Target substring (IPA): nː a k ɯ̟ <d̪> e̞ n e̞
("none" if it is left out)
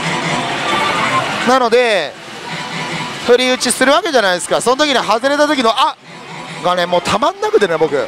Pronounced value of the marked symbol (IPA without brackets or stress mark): t̪